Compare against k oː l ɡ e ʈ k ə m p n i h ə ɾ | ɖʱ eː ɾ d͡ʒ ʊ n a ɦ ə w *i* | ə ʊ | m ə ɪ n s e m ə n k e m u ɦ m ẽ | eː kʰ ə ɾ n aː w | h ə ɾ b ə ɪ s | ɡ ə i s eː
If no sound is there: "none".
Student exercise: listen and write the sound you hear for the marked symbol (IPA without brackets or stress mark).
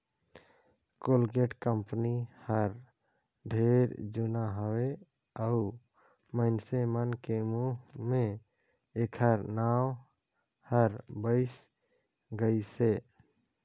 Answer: e